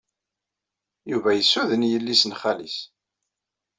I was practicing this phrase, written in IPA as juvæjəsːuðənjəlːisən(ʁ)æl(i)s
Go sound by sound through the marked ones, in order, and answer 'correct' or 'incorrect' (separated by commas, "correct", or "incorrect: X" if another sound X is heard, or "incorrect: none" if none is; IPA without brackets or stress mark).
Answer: incorrect: χ, correct